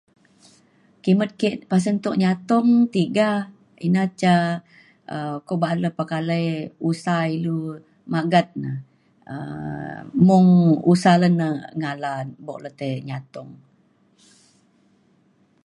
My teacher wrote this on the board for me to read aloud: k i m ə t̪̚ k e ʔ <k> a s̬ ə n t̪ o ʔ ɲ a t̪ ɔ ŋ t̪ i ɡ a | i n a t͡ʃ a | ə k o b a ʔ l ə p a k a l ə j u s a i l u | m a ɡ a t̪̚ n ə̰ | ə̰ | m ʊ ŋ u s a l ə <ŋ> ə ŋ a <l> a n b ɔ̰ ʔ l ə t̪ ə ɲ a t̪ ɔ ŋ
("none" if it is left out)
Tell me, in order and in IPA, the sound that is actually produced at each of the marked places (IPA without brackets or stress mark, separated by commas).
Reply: p, n, l